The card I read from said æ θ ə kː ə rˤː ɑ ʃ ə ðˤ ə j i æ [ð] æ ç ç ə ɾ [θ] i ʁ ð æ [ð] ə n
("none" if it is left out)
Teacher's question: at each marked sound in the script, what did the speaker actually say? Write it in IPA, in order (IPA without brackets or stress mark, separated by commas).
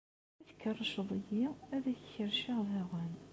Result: ð, ʃ, ʁ